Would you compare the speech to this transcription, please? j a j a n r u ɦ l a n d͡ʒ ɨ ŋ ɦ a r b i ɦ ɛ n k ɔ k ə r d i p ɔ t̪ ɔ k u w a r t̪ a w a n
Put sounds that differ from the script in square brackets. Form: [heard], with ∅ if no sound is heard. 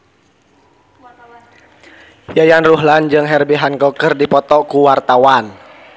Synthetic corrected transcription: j a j a n r u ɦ l a n d͡ʒ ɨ ŋ ɦ [ɛ] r b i ɦ [a] n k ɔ k ə r d i p ɔ t̪ ɔ k u w a r t̪ a w a n